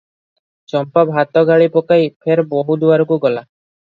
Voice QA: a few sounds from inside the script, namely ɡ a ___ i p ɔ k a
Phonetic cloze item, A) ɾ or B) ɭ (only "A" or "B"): B